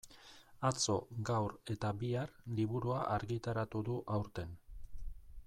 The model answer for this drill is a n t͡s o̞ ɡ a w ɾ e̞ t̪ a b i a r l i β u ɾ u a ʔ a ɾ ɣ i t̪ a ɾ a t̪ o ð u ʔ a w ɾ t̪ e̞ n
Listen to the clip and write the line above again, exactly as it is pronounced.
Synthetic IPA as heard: a t͡s o̞ ɡ a w ɾ e̞ t̪ a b i a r l i β u ɾ u a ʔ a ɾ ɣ i t̪ a ɾ a t̪ u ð u ʔ a w ɾ t̪ e̞ n